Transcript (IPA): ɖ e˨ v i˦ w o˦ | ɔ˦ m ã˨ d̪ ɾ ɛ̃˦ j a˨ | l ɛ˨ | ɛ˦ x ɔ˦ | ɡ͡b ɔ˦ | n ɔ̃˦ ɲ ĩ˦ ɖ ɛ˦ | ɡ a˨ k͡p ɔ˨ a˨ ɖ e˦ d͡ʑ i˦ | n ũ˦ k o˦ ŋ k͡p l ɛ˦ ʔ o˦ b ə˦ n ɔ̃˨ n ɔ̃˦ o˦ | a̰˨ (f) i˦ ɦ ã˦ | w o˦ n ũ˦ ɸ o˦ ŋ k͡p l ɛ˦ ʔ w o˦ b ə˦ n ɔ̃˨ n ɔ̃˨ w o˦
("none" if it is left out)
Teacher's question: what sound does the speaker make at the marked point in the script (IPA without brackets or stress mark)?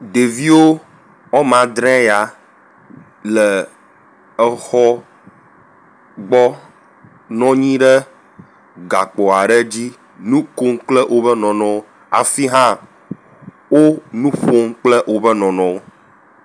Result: f